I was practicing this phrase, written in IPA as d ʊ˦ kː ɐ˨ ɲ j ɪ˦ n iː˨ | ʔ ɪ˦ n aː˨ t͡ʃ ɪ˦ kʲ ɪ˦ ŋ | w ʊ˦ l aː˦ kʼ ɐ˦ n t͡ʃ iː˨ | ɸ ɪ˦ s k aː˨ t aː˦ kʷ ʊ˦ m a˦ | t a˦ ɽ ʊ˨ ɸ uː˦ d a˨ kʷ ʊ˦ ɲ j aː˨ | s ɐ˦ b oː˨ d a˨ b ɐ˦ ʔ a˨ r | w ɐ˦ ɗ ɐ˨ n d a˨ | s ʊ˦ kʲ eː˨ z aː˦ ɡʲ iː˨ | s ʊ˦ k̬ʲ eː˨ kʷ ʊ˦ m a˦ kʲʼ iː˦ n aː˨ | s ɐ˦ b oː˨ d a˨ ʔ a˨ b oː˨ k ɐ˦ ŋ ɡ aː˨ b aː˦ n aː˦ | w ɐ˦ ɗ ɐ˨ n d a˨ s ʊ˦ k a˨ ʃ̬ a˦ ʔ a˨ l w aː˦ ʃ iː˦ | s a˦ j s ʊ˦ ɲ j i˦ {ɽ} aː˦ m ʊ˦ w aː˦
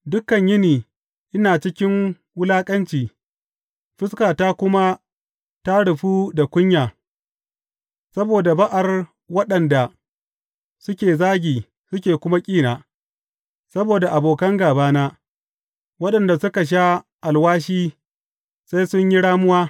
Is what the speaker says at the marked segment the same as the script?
yes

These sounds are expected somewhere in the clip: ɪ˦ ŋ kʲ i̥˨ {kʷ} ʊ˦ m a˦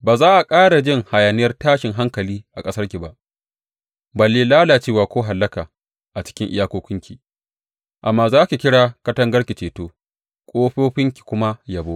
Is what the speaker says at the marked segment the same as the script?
yes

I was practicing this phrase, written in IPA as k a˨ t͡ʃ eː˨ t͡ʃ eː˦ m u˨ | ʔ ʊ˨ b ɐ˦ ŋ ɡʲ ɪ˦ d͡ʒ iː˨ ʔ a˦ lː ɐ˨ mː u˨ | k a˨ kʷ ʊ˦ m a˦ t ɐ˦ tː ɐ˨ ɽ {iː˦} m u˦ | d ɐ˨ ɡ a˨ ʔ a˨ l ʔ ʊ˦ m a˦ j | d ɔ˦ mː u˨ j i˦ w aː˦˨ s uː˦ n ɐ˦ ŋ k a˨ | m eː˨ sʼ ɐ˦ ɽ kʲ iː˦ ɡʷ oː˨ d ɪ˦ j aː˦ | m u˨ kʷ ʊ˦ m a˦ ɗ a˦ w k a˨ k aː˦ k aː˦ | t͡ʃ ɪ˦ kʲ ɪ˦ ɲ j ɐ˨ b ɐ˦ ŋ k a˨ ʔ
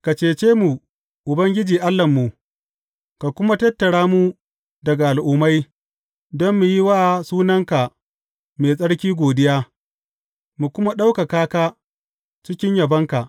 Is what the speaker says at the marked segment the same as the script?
no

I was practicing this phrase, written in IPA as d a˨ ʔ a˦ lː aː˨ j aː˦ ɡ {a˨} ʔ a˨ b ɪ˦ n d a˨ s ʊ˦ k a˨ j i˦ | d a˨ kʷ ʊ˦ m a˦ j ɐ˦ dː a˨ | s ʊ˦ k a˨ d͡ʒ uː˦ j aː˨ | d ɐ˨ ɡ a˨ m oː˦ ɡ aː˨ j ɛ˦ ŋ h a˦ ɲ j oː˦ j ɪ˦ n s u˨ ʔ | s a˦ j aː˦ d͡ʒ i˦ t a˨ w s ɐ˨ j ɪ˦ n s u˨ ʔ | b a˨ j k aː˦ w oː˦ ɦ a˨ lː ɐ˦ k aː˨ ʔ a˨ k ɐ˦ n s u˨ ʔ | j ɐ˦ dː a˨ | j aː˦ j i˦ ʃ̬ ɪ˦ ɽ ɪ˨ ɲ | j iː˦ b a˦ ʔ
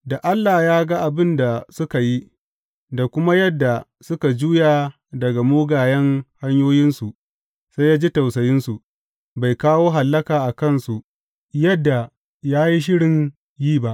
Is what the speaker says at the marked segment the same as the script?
no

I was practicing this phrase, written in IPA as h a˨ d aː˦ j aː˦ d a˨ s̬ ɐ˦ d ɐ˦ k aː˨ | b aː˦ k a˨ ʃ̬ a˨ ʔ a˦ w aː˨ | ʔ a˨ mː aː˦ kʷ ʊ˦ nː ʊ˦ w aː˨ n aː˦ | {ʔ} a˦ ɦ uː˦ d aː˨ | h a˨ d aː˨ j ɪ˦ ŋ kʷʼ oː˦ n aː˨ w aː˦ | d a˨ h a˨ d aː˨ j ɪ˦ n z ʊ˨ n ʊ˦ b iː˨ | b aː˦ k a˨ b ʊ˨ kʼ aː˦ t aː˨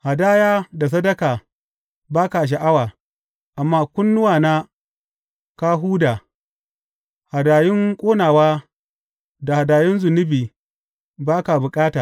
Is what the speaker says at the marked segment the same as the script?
no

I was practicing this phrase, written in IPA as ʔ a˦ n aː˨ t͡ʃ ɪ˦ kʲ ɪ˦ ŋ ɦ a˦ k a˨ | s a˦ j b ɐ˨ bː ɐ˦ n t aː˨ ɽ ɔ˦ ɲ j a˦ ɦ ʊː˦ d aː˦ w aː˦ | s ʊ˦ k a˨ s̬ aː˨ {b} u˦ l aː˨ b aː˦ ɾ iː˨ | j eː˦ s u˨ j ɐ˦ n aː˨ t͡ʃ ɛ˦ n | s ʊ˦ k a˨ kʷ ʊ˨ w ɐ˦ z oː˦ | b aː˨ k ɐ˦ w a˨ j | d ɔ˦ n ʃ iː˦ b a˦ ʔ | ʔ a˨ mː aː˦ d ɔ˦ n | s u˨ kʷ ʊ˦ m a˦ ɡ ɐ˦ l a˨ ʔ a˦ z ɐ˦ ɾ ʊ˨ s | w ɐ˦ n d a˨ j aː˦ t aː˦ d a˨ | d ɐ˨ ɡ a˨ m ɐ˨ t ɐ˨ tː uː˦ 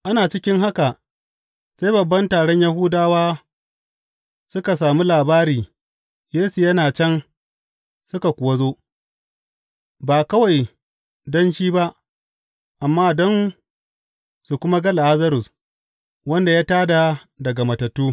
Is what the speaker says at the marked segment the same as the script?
no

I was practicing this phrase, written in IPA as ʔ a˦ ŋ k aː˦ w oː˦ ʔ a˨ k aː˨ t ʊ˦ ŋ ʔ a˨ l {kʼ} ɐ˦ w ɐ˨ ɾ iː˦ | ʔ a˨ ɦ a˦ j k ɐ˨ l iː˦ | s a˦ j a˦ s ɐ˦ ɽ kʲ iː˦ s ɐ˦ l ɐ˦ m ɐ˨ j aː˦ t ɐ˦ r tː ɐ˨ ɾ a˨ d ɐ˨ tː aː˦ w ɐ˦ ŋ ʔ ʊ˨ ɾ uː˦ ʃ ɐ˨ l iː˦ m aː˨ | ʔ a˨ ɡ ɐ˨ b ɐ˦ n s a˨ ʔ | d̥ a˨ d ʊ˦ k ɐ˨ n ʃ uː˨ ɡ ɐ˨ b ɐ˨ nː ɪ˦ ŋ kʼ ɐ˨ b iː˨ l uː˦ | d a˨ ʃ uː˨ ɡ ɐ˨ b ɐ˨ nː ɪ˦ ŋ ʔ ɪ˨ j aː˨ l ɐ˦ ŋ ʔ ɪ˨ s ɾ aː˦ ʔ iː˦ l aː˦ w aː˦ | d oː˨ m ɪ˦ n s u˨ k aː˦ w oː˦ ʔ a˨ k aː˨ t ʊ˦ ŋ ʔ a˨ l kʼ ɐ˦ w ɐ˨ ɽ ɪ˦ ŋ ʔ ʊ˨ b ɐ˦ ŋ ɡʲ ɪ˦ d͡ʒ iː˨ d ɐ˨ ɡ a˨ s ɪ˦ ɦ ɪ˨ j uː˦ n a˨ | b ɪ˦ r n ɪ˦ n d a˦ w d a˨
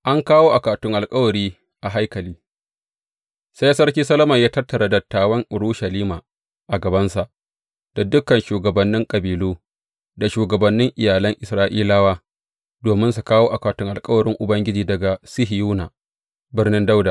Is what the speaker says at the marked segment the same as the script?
yes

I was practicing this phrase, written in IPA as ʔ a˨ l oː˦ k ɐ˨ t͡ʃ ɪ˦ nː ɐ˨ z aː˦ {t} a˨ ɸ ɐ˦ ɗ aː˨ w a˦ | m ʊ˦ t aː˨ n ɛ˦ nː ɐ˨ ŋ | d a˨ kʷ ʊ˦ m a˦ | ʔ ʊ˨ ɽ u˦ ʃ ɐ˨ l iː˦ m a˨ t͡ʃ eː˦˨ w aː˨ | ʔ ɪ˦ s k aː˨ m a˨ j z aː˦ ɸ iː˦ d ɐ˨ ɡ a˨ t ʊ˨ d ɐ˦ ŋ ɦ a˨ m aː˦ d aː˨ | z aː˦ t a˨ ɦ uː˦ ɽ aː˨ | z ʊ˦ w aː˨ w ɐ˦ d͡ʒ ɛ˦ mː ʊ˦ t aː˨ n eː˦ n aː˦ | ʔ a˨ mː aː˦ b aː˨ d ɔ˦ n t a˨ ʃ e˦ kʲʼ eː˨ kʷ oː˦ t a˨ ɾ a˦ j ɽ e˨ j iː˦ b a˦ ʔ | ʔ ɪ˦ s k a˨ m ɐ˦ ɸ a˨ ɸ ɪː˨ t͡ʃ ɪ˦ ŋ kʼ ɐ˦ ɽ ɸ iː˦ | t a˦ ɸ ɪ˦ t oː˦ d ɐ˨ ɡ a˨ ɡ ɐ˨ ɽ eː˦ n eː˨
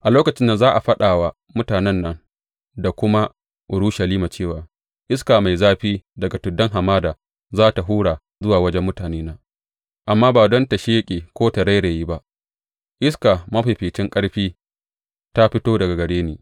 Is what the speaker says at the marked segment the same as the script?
no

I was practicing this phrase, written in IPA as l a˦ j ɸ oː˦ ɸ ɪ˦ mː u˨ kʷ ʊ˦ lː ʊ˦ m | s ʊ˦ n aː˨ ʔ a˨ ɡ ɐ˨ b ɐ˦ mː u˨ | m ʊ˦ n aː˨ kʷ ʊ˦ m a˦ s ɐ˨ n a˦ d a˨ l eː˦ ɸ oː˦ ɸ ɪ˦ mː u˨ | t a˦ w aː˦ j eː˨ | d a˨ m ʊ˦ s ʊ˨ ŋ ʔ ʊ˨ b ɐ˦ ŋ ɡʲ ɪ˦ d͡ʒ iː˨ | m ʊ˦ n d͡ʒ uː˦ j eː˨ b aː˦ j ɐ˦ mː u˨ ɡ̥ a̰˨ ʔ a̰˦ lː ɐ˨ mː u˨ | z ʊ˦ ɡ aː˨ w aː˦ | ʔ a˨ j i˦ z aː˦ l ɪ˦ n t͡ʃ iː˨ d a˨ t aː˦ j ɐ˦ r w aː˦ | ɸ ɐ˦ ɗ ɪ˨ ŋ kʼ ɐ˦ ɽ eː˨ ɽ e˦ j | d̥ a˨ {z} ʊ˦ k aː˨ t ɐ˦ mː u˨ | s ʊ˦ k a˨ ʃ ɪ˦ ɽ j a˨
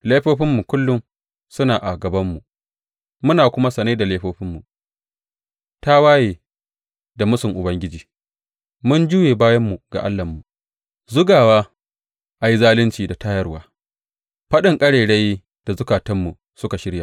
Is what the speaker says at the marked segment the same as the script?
yes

